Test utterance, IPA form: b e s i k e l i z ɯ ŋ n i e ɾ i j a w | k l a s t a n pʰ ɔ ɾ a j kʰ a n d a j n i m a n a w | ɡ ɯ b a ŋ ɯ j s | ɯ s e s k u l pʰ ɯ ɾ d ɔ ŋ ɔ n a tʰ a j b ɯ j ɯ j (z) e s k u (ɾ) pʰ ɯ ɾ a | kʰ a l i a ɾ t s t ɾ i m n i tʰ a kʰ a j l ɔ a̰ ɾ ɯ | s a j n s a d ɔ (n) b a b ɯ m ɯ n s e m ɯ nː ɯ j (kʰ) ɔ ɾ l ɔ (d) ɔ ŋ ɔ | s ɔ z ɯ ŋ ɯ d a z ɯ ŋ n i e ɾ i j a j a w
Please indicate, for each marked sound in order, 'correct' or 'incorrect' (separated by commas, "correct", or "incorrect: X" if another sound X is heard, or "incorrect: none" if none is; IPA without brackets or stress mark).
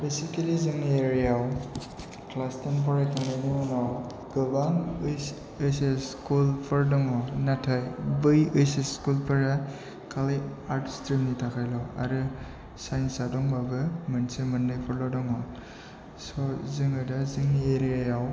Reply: incorrect: s, incorrect: l, incorrect: ŋ, incorrect: pʰ, correct